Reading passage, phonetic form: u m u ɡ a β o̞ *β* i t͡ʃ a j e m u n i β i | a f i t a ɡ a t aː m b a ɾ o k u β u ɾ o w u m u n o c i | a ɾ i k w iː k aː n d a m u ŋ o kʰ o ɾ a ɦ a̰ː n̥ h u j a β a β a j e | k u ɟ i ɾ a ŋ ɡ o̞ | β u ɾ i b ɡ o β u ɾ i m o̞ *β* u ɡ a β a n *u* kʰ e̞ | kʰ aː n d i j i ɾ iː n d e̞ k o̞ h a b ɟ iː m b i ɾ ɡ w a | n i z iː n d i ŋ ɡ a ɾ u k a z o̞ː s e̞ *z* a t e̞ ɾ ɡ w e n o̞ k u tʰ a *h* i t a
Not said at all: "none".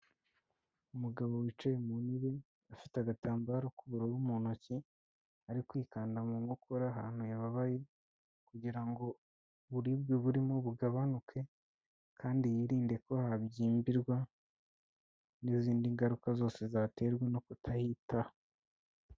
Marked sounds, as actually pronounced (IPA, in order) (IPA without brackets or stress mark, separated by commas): w, β, u, z, h